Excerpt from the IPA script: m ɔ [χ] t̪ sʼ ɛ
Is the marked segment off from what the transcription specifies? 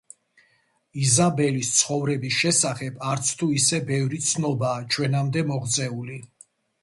yes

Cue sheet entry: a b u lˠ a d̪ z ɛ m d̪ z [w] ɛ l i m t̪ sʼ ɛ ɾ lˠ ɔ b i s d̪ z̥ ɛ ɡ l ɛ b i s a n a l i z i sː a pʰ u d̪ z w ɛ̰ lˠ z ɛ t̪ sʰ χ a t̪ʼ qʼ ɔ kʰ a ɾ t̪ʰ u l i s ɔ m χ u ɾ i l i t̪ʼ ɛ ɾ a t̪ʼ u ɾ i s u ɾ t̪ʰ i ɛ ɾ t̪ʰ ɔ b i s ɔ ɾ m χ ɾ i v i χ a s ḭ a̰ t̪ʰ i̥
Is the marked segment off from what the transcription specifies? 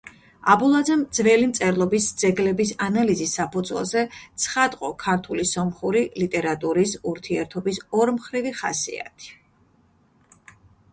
yes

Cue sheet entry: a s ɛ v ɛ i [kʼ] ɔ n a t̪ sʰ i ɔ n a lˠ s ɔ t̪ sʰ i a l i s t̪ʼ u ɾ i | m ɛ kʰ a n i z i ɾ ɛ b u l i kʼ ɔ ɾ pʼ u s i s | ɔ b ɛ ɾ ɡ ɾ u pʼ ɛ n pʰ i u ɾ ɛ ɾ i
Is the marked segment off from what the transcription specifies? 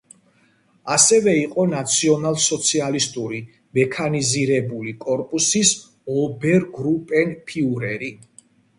yes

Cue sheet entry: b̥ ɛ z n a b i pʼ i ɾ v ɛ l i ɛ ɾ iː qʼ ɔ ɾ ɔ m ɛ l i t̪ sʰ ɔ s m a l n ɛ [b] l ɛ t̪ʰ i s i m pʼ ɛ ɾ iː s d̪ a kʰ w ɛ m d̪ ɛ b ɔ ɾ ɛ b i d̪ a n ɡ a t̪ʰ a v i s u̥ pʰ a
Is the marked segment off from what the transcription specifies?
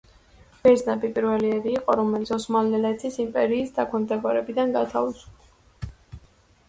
yes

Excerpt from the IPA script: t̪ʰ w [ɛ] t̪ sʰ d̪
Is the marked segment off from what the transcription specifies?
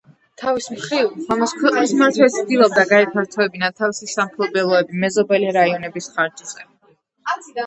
no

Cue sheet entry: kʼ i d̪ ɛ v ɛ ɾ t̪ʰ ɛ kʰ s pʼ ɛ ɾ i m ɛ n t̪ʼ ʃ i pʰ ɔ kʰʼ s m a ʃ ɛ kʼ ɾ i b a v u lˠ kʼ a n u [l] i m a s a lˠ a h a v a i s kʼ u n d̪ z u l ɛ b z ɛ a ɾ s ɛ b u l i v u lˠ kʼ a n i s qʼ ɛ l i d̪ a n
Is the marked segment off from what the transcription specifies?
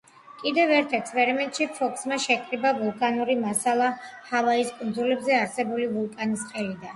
yes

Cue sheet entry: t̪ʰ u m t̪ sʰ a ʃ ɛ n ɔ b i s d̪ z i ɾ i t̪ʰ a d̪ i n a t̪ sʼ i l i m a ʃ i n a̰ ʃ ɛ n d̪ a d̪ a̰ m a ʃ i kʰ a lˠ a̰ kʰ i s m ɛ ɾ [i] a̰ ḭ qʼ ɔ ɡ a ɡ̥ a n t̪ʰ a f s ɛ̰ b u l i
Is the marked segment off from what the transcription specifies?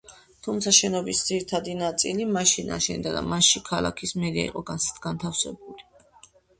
no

